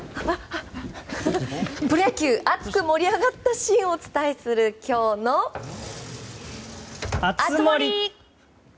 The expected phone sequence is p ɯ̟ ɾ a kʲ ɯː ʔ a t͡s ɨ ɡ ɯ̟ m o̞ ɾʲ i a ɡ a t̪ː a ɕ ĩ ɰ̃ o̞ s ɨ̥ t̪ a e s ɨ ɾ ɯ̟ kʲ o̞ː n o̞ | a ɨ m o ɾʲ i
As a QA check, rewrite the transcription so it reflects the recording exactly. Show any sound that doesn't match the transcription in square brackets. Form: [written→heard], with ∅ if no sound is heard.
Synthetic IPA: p ɯ̟ ɾ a kʲ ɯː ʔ a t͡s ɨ [ɡ→k] ɯ̟ m o̞ ɾʲ i a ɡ a t̪ː a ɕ ĩ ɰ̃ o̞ [s→t͡s] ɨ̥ t̪ a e s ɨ ɾ ɯ̟ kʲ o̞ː n o̞ | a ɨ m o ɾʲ i